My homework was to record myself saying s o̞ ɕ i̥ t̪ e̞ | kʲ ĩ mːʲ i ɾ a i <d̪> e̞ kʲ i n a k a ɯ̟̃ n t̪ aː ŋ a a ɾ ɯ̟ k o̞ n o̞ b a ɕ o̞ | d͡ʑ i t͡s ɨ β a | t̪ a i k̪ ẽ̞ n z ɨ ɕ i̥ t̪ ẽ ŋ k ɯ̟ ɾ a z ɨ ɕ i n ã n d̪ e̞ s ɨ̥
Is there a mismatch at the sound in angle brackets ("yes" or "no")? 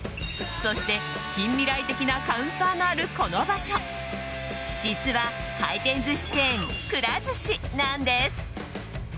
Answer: yes